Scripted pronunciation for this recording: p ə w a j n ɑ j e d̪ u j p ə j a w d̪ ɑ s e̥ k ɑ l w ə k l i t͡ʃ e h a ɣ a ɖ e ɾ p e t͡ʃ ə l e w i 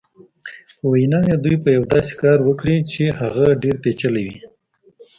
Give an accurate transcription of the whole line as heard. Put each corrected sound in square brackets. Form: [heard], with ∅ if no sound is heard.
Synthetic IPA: p ə w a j n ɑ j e d̪ u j p ə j a w d̪ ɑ s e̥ k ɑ [ɾ] w ə k [ɽ] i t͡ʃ e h a ɣ a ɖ e ɾ p e t͡ʃ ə l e w i

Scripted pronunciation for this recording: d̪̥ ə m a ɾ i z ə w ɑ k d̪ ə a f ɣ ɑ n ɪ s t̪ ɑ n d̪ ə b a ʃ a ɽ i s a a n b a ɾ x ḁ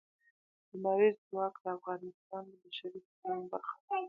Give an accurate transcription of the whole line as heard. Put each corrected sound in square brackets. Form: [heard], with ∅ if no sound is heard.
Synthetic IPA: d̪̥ ə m a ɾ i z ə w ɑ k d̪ ə a f ɣ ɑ n ɪ s t̪ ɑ n d̪ ə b a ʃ a [ɾ] i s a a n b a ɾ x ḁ

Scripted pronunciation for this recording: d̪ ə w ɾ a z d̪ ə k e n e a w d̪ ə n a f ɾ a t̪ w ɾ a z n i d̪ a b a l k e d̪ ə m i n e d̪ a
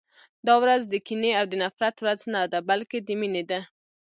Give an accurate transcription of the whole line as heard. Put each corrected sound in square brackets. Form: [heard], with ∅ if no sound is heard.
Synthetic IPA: d̪ [ɑ] w ɾ a z d̪ ə k [i] n e a w d̪ ə n a f ɾ a t̪ w ɾ a z n [a] d̪ a b a l k e d̪ ə m i n e d̪ a

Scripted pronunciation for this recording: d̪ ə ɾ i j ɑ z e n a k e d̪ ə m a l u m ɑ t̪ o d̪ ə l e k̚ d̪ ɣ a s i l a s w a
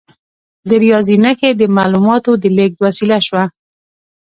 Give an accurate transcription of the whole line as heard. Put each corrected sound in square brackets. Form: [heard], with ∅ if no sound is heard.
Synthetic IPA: d̪ ə ɾ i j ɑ z [i] n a k e d̪ ə m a l u m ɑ t̪ o d̪ ə l e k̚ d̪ [w] a s i l a [ʃ] w a

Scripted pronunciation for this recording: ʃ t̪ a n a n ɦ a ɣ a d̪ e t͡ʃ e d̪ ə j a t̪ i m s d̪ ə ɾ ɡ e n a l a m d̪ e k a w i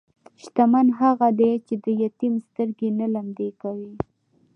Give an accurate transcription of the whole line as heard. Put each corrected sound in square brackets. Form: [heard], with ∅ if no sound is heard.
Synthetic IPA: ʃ t̪ a [m] a n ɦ a ɣ a d̪ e t͡ʃ e d̪ ə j a t̪ i m s [t̪] ə ɾ ɡ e n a l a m d̪ e k a w i

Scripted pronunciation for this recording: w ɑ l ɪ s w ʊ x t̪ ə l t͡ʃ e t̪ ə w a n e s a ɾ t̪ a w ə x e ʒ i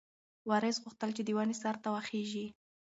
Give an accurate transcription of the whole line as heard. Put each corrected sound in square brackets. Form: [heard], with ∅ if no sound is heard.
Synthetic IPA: w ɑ [ɾ] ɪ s [ɣ] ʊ x t̪ ə l t͡ʃ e [d̪] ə w a n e s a ɾ t̪ a w [a] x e ʒ i

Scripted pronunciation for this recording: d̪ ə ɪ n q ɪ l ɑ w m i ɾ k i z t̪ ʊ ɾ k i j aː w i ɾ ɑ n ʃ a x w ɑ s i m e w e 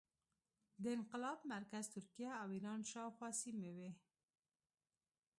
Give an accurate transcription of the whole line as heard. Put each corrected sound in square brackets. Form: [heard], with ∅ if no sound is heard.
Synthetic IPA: d̪ ə ɪ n q ɪ l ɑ [b] m [a] ɾ k [a] z t̪ ʊ ɾ k i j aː w i ɾ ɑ n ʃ [ɑ] x w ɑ s i m e w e

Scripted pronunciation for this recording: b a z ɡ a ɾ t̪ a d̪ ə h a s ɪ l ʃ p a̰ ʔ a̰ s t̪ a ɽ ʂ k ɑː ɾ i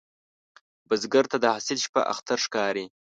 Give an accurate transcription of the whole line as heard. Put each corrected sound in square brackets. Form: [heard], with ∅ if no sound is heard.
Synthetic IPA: b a z ɡ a ɾ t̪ a d̪ ə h a s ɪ l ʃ p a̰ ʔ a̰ [x] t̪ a [ɾ] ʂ k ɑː ɾ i

